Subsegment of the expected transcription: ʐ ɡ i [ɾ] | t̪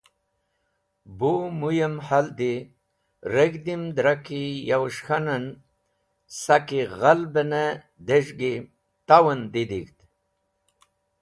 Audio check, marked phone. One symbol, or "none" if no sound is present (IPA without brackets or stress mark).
none